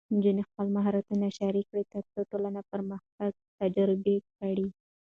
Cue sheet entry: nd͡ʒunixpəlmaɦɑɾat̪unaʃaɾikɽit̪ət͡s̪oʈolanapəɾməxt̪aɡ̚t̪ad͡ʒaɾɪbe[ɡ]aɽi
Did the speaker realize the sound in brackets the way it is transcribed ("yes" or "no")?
no